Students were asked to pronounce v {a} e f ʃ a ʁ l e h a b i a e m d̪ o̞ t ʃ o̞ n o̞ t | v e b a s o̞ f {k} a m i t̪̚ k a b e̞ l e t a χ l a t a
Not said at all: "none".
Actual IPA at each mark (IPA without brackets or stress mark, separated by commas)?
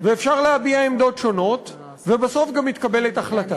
e, ɡ